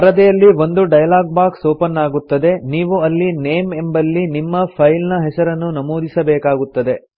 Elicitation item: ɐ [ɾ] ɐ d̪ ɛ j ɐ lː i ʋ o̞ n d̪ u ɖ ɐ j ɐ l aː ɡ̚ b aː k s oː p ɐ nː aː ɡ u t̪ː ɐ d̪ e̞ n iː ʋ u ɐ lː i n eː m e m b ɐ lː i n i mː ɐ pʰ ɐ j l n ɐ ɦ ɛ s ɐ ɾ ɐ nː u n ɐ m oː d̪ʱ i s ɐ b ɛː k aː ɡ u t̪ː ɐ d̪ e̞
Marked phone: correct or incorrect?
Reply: correct